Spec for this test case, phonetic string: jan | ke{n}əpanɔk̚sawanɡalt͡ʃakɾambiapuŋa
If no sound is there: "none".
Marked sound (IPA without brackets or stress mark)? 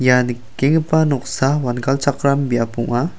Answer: ŋ